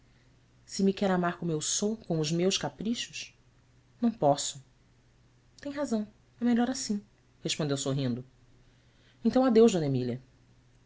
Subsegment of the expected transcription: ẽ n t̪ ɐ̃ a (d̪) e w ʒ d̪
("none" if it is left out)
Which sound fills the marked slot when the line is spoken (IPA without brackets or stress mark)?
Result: d̪